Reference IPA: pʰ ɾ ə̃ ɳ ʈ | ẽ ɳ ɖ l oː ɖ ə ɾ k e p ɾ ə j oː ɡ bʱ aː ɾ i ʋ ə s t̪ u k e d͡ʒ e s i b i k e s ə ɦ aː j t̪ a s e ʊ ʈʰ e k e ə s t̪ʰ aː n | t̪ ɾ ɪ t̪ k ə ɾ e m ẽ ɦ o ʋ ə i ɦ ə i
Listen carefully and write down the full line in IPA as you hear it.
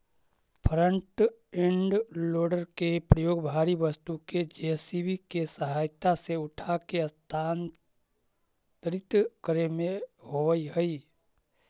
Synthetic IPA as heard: pʰ ɾ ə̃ ɳ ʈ | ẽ ɳ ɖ l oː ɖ ə ɾ k e p ɾ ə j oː ɡ bʱ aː ɾ i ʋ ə s t̪ u k e d͡ʒ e s i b i k e s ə ɦ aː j t̪ a s e ʊ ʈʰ a k e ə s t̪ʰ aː n | t̪ ɾ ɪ t̪ k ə ɾ e m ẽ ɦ o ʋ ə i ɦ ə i